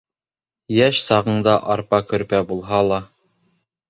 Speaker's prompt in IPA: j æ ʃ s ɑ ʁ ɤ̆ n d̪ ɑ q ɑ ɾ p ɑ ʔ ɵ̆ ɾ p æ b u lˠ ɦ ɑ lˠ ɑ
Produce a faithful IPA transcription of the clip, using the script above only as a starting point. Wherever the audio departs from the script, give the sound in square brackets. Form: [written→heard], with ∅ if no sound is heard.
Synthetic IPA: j æ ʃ s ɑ ʁ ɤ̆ [n→ɴ] d̪ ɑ [q→ʔ] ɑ ɾ p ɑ [ʔ→k] ɵ̆ ɾ p æ b u lˠ ɦ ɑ lˠ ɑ